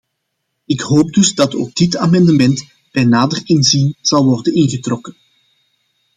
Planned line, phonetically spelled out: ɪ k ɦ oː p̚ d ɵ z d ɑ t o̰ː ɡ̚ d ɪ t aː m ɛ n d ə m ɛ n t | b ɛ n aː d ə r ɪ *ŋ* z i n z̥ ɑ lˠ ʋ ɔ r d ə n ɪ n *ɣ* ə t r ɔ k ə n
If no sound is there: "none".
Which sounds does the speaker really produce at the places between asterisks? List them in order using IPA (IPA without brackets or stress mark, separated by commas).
n, ɣ